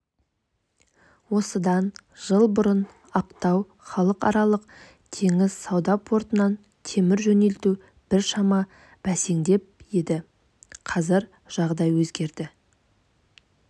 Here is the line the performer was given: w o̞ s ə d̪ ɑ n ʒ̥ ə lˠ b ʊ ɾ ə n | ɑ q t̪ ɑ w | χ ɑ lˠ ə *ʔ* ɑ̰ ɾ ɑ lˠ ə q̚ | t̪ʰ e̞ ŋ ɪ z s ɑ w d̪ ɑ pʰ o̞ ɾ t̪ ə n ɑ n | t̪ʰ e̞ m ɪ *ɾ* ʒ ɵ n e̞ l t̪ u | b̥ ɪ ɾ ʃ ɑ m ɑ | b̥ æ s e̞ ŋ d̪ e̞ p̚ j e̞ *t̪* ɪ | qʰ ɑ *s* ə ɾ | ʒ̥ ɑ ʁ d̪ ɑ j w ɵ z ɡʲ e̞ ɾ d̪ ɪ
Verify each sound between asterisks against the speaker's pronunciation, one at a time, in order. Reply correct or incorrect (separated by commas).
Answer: incorrect, correct, incorrect, incorrect